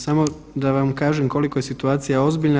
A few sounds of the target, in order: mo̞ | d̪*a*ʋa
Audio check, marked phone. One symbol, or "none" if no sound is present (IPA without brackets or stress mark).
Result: a